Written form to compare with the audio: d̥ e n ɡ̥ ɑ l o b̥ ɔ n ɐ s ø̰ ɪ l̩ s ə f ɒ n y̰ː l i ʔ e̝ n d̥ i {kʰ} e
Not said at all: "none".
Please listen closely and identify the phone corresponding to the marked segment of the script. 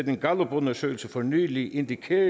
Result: kʰ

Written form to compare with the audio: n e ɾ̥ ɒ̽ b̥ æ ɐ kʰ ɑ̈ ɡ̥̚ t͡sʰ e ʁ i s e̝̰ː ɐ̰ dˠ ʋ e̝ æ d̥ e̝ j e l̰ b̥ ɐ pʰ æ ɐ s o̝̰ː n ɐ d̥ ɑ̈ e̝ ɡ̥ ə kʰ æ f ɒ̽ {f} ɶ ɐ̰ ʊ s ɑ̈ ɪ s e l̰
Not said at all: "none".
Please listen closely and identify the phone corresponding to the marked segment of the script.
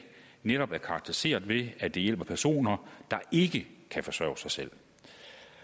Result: s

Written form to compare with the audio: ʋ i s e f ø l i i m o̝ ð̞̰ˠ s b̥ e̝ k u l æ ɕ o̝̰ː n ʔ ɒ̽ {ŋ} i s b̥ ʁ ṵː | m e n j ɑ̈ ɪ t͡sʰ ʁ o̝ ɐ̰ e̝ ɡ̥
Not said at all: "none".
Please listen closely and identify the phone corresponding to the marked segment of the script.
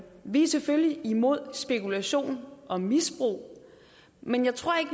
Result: m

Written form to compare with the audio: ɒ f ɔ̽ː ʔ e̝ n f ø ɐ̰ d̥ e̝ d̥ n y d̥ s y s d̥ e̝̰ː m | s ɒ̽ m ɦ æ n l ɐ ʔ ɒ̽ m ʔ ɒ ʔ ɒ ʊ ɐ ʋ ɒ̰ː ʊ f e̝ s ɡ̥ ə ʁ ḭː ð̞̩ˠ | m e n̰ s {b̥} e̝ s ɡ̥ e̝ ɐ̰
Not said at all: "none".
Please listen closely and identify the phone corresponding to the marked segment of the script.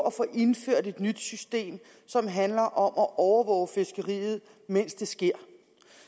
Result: d̥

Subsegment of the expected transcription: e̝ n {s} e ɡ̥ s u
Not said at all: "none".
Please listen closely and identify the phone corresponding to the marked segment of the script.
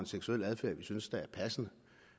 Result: s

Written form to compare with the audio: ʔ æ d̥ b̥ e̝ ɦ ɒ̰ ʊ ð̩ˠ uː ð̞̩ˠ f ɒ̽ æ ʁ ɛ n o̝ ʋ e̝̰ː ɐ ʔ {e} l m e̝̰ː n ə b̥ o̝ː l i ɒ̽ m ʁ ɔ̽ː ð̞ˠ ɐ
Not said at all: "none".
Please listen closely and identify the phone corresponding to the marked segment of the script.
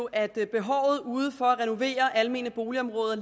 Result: æ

